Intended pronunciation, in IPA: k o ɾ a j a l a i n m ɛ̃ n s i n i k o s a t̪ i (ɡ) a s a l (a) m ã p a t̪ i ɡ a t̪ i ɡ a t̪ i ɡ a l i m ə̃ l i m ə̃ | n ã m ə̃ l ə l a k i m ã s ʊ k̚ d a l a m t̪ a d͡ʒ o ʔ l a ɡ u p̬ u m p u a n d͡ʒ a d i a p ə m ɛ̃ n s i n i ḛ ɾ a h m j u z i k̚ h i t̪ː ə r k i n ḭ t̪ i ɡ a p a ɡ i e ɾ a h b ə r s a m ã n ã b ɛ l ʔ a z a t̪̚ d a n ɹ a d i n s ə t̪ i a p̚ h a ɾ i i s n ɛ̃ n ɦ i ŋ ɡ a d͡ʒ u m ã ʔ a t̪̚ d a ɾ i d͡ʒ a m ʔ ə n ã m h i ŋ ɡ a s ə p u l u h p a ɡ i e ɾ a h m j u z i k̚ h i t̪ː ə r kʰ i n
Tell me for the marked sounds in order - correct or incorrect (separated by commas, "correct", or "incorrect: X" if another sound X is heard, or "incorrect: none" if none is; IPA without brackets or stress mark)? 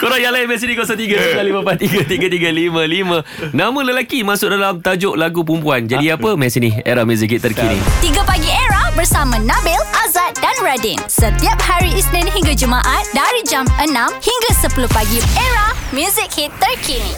correct, incorrect: i